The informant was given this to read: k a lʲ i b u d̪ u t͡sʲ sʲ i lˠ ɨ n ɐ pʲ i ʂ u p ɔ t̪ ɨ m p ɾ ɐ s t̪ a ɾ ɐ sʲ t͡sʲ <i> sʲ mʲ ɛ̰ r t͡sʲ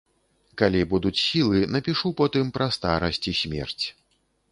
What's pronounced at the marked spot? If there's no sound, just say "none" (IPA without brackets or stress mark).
i